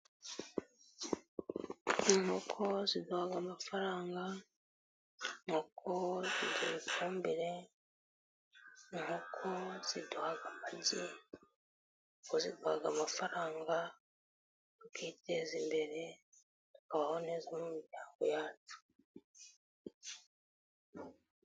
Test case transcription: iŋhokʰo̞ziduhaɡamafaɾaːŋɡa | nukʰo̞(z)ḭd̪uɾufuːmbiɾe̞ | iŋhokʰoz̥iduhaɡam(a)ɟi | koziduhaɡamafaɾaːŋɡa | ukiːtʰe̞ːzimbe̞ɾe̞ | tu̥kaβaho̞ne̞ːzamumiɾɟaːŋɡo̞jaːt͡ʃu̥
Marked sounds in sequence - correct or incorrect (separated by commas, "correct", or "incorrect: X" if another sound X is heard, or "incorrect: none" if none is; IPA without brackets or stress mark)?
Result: correct, correct